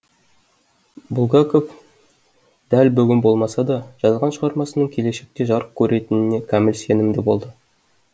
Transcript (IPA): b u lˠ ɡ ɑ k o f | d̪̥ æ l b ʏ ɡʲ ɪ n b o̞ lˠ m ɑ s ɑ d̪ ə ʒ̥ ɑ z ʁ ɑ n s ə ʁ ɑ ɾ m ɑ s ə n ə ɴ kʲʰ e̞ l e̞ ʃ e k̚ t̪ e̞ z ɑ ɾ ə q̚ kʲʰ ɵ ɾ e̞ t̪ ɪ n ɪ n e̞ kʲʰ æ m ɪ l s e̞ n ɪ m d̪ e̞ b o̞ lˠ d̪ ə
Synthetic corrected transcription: b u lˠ ɡ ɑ k o f | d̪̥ æ l b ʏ ɡʲ ɪ n b o̞ lˠ m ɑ s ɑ d̪ ɑ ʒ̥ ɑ z ʁ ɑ n ʃ ə ʁ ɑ ɾ m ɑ s ə n ə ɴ kʲʰ e̞ l e̞ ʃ e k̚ t̪ e̞ ʒ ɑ ɾ ə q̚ kʲʰ ɵ ɾ e̞ t̪ ɪ n ɪ n e̞ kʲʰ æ m ɪ l s e̞ n ɪ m d̪ e̞ b o̞ lˠ d̪ ə